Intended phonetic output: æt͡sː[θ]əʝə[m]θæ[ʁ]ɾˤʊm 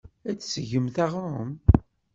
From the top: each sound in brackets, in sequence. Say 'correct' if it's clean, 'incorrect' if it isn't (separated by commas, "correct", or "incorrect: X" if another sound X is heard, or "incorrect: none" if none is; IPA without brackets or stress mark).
incorrect: s, correct, correct